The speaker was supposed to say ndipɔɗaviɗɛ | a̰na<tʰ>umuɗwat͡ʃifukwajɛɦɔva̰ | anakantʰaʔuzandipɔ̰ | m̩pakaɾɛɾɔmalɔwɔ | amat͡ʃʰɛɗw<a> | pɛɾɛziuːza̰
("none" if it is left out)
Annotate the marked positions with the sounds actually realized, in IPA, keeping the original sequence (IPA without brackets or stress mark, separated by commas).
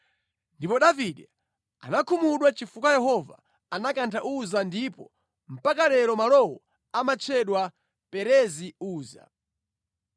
kʰ, a